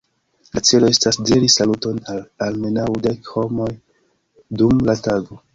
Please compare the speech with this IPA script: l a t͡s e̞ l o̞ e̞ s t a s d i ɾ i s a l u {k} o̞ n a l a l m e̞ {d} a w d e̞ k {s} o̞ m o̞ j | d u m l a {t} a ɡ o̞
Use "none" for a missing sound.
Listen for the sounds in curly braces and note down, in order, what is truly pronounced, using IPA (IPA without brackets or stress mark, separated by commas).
t, n, h, t